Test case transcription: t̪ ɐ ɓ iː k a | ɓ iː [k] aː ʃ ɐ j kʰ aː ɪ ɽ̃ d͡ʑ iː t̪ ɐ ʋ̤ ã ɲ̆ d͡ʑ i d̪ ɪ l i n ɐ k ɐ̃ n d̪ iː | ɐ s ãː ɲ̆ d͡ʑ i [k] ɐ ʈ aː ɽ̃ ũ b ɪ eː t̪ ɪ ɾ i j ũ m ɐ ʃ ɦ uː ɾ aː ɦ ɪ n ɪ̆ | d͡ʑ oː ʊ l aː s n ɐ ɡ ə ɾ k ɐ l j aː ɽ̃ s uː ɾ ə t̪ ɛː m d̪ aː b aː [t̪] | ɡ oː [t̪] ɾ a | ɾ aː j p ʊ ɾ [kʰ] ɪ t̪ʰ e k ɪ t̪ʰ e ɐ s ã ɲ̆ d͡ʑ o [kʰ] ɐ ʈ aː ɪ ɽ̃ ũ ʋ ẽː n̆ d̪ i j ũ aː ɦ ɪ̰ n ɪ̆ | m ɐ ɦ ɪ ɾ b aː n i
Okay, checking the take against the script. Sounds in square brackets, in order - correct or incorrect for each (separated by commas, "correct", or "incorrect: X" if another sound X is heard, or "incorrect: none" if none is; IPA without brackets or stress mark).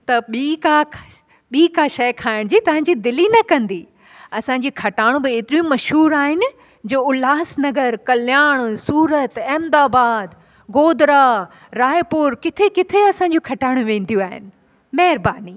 correct, incorrect: kʰ, incorrect: d̪, incorrect: d̪, incorrect: k, correct